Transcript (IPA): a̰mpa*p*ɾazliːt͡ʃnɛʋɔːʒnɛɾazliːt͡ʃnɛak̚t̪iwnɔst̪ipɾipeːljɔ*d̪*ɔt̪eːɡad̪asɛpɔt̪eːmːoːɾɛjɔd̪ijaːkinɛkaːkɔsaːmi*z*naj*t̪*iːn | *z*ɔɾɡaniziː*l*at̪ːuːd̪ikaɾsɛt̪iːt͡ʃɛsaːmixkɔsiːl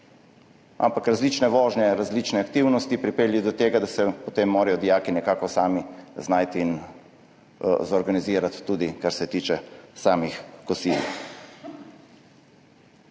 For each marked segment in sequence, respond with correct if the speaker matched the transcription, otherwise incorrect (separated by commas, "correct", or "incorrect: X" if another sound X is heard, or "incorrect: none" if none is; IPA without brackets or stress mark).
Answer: incorrect: k, correct, correct, correct, correct, incorrect: ɾ